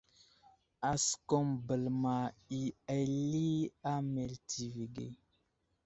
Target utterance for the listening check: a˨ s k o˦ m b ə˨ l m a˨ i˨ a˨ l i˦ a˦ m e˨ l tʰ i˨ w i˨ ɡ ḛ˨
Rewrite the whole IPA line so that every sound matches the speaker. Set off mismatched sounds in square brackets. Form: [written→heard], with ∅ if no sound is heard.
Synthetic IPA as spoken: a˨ s k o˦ m b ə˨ l m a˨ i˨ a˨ l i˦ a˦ m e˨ l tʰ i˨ [w→v] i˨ ɡ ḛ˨